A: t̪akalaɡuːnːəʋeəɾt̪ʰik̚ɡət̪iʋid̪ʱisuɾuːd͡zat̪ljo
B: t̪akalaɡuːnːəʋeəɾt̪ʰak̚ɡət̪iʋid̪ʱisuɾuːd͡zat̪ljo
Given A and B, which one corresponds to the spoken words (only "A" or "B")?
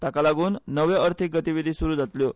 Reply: A